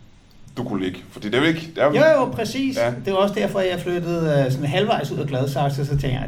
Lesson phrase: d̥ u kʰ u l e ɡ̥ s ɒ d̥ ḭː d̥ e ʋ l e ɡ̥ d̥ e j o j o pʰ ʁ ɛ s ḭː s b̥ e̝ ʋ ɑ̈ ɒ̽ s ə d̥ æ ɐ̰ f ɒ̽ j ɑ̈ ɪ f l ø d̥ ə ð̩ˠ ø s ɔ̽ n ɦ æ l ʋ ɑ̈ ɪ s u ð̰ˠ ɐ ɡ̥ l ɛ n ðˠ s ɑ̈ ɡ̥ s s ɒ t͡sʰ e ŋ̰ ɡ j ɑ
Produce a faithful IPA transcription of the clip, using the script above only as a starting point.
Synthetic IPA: d̥ u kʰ u l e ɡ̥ f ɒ d̥ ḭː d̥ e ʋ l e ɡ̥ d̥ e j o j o pʰ ʁ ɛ s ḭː s d̥ e̝ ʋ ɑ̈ ɒ̽ s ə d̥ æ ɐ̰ f ɒ̽ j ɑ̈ ɪ f l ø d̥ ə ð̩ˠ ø s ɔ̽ n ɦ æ l ʋ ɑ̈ ɪ s u ð̰ˠ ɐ ɡ̥ l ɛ ðˠ s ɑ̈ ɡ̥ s s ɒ t͡sʰ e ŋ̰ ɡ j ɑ